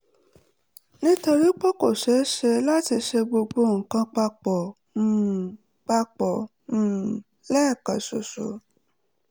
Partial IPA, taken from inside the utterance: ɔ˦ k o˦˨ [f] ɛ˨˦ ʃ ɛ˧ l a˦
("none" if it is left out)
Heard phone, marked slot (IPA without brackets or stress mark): ʃ